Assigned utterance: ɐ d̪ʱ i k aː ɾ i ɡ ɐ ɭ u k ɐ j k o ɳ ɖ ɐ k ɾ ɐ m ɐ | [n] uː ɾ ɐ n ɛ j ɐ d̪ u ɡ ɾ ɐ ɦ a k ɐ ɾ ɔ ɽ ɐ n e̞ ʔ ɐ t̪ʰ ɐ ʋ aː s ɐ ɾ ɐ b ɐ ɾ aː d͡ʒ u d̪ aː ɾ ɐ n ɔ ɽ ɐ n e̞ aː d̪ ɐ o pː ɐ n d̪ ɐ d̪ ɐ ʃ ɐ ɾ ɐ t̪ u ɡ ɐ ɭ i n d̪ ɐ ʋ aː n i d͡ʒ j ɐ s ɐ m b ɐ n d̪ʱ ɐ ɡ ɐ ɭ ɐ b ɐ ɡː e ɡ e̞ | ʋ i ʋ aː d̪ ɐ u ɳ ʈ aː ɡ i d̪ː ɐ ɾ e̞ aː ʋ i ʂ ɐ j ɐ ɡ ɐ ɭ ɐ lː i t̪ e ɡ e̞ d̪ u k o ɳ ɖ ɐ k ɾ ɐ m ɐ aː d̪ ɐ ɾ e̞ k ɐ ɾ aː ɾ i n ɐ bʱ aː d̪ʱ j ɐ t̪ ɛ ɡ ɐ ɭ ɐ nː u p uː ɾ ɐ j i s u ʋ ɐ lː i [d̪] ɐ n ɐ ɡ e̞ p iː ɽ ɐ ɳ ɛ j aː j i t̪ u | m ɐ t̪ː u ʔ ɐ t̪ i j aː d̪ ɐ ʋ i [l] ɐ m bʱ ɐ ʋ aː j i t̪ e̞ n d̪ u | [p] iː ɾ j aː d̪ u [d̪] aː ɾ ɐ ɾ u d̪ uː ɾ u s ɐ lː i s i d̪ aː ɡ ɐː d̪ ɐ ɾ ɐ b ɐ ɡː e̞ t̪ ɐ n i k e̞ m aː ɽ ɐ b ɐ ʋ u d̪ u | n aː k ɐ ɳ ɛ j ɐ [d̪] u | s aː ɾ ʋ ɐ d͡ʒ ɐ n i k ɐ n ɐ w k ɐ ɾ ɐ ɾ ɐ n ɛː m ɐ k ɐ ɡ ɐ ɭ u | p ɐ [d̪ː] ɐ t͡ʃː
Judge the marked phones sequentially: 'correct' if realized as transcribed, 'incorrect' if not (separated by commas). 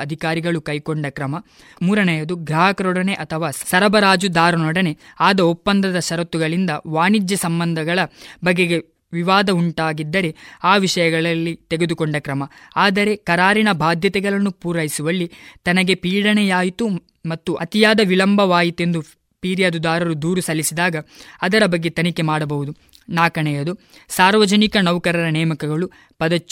incorrect, incorrect, correct, correct, correct, correct, incorrect